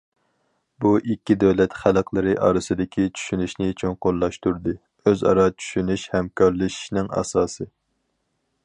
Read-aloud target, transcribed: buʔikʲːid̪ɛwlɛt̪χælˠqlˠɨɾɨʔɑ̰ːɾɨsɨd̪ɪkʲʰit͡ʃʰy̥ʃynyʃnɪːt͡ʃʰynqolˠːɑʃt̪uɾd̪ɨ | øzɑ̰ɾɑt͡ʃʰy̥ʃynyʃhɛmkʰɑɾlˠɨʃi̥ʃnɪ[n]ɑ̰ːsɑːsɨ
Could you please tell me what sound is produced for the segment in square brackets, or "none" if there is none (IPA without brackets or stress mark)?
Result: ŋ